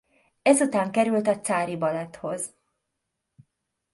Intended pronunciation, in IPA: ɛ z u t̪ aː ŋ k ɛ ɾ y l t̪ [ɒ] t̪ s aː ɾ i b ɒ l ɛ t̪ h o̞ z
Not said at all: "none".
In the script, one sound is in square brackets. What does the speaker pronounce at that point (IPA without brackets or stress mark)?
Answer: ɒ